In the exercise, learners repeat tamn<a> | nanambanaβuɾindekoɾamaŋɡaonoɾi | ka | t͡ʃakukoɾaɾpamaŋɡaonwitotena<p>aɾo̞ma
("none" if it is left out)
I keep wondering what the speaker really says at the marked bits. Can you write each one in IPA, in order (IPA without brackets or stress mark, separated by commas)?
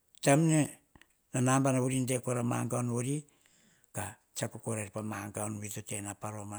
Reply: e, p